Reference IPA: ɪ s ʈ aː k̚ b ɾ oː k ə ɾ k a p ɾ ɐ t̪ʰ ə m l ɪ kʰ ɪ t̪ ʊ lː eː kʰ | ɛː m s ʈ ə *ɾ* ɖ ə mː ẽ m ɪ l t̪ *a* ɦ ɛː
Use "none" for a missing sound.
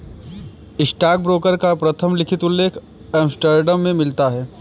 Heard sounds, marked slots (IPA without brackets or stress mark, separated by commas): ɾ, a